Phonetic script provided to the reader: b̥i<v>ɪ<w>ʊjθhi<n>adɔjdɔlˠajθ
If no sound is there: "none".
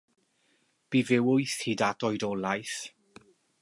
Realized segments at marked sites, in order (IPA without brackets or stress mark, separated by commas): v, w, d